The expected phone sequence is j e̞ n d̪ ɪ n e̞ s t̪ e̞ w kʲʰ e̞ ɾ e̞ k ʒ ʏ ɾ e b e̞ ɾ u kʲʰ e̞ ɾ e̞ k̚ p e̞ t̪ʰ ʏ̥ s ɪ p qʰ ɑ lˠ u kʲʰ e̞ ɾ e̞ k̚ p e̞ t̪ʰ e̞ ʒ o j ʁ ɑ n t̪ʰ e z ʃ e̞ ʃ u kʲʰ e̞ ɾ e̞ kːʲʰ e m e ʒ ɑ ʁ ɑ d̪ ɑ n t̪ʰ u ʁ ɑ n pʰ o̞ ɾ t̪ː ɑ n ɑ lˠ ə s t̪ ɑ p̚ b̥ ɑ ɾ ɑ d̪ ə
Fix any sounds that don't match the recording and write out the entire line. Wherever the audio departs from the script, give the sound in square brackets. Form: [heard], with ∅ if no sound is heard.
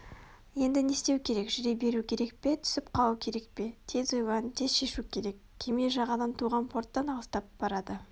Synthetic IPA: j e̞ n d̪ ɪ n e̞ s t̪ e̞ w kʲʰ e̞ ɾ e̞ k ʒ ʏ ɾ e b e̞ ɾ u kʲʰ e̞ ɾ e̞ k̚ p e̞ t̪ʰ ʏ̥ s ɪ p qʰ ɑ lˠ u kʲʰ e̞ ɾ e̞ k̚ p e̞ t̪ʰ e̞ [z] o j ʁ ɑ n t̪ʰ e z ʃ e̞ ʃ u kʲʰ e̞ ɾ e̞ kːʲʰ e m e ʒ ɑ ʁ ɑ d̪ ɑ n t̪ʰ u ʁ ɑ n pʰ o̞ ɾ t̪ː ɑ n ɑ lˠ ə s t̪ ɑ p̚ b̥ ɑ ɾ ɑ d̪ ə